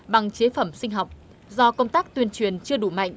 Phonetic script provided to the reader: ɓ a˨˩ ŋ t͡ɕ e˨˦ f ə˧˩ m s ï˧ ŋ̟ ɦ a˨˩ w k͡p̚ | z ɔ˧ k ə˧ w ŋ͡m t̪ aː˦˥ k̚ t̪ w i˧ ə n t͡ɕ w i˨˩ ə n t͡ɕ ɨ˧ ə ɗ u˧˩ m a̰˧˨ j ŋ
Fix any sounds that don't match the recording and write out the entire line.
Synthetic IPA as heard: ɓ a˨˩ ŋ t͡ɕ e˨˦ f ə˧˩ m s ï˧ ŋ̟ ɦ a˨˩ w k͡p̚ | z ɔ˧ k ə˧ w ŋ͡m t̪ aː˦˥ k̚ t̪ w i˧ ə n t͡ɕ w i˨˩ ə n t͡ɕ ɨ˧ ə ɗ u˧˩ m a̰˧˨ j ŋ